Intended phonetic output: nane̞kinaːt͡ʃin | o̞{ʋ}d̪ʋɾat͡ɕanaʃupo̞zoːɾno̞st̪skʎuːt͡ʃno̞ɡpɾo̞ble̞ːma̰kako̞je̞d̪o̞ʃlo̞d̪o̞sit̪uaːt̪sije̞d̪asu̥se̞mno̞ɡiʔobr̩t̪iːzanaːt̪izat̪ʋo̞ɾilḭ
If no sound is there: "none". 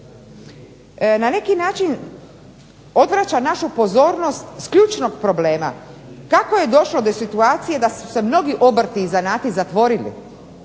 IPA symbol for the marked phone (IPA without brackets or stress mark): none